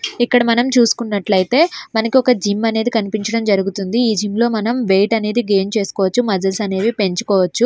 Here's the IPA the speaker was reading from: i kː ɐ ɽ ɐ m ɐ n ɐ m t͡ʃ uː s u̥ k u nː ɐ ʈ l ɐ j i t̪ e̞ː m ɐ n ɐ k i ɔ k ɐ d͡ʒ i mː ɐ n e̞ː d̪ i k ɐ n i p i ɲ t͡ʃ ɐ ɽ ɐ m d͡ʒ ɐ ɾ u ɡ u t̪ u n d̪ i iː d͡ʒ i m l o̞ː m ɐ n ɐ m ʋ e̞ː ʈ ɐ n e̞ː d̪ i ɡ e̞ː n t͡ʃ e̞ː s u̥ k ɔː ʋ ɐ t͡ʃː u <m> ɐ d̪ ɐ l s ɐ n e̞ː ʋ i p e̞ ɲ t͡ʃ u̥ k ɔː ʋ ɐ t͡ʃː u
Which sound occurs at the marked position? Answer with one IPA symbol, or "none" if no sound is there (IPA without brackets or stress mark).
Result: m